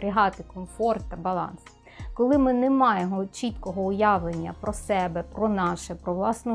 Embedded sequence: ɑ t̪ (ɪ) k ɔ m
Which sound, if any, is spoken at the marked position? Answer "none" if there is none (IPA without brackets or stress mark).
ɪ